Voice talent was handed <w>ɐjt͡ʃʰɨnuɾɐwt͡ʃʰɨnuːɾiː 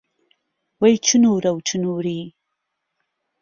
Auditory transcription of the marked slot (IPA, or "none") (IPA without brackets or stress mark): w